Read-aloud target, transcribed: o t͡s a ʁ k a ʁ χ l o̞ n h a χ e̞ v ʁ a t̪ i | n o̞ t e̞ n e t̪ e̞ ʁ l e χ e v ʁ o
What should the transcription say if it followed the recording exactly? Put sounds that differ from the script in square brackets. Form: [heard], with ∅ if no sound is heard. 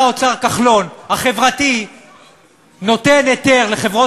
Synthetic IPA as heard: o t͡s a ʁ k a [∅] χ l o̞ n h a χ e̞ v ʁ a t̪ i | n o̞ t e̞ n e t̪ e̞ ʁ l e χ e v ʁ o